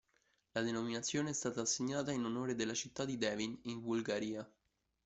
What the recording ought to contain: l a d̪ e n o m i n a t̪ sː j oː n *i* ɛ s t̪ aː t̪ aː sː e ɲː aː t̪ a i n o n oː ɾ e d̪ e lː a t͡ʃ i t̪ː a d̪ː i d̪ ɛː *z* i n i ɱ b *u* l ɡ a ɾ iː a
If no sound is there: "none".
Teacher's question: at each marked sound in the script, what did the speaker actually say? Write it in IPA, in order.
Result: e, v, u

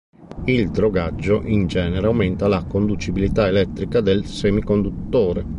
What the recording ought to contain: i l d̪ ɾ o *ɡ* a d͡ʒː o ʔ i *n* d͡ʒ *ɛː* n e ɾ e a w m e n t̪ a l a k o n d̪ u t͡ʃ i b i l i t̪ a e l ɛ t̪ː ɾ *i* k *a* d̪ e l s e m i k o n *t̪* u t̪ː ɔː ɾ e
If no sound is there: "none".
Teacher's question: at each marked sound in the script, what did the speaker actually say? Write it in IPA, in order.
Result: ɡ, n, ɛː, i, a, d̪

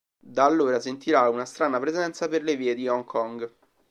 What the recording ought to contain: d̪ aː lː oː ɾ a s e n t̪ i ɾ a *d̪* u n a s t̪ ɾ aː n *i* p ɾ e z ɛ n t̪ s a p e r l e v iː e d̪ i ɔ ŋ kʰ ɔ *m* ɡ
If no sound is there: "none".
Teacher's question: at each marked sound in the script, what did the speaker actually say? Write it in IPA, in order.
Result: none, a, ŋ

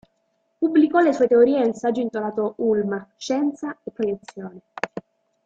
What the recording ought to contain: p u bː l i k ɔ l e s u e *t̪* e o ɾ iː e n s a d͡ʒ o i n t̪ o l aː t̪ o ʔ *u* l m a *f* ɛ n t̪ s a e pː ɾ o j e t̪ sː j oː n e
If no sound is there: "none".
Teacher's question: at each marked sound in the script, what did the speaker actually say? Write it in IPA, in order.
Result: t̪, u, ʃ

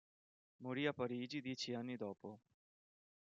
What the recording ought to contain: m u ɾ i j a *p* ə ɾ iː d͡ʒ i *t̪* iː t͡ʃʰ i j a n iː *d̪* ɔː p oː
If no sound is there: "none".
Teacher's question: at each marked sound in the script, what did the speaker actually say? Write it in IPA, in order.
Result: p, d̪, d̪

